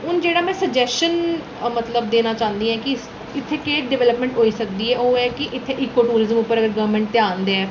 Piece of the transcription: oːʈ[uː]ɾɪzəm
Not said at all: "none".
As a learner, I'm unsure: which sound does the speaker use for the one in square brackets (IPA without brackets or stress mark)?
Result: uː